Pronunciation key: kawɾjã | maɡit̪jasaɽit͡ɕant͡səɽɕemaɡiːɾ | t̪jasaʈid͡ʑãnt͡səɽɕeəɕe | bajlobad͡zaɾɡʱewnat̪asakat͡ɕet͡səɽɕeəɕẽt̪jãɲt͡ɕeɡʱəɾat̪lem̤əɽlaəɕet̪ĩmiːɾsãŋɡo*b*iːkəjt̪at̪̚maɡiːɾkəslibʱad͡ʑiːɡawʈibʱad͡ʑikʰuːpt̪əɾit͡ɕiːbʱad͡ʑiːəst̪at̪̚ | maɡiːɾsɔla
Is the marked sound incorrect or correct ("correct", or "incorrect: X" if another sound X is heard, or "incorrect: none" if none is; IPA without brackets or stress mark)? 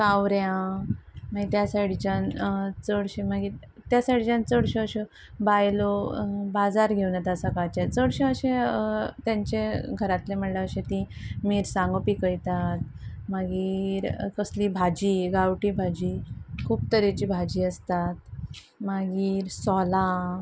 incorrect: p